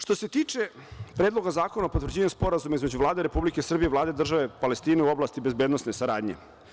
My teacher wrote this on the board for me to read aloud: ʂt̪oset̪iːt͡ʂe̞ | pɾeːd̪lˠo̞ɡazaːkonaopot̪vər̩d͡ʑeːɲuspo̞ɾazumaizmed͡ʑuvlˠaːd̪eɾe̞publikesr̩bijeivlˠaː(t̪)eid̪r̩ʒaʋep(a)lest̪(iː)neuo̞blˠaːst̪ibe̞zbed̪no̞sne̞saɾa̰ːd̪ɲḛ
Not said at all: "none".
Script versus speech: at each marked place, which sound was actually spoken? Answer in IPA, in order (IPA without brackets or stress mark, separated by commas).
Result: d̪, a, iː